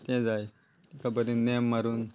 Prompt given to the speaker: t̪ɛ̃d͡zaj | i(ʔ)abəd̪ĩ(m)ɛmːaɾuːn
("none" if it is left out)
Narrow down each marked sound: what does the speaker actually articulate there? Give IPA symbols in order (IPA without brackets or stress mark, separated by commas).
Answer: k, n